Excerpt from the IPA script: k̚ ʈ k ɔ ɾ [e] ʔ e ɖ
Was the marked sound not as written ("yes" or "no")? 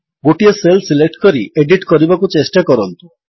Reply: yes